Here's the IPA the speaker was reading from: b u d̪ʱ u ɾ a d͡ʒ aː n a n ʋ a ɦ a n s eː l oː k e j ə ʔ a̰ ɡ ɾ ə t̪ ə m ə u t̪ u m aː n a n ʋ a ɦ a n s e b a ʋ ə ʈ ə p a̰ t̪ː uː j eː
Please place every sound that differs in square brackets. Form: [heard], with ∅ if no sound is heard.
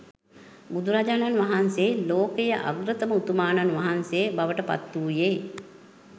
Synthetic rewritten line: b u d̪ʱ u ɾ a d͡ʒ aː n a n ʋ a ɦ a n s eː l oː k e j ə ʔ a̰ ɡ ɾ ə t̪ ə m ə u t̪ u m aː n a n ʋ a ɦ a n s e b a ʋ ə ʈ ə p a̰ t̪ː uː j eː